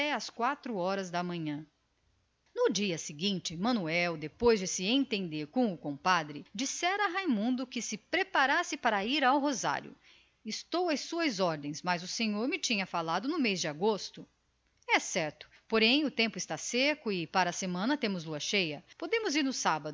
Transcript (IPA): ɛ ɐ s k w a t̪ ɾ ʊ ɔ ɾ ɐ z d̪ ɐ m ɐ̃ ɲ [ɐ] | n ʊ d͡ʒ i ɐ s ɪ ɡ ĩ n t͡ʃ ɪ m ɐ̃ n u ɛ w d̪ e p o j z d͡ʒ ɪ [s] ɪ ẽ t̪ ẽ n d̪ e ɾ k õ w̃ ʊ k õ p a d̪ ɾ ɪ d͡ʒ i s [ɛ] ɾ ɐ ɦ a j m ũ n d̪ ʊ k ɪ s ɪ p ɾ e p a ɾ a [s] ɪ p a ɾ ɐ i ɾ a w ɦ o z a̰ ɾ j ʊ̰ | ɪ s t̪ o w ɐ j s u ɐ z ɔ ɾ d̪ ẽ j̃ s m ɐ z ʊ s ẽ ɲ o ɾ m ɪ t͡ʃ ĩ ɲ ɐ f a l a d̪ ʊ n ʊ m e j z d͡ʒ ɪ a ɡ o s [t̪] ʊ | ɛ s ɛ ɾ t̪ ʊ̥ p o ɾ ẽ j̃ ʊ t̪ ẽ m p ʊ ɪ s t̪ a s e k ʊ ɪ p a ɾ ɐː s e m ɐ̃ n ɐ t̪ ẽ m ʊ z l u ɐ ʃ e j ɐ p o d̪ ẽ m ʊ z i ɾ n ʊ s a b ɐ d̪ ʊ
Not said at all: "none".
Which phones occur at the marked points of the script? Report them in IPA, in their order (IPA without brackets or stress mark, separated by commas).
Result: ɐ̃, s, ɛ, s, t̪